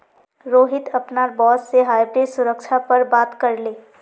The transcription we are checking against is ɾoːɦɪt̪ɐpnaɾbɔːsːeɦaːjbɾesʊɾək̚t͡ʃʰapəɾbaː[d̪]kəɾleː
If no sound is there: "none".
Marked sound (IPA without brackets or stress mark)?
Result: t̪